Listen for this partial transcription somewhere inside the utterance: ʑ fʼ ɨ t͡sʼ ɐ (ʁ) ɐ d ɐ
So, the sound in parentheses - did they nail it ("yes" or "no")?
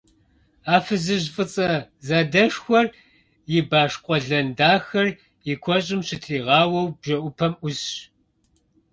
no